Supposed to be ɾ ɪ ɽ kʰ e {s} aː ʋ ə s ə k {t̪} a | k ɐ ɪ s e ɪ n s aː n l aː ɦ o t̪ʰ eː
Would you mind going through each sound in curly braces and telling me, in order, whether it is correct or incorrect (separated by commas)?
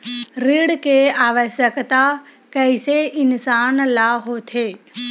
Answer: incorrect, correct